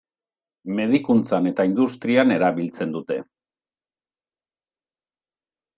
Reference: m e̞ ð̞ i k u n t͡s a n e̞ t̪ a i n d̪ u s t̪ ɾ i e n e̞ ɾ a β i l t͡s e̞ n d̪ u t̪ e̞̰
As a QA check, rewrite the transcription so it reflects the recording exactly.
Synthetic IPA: m e̞ ð̞ i k u n t͡s a n e̞ t̪ a i n d̪ u s t̪ ɾ i a n e̞ ɾ a β i l t͡s e̞ n d̪ u t̪ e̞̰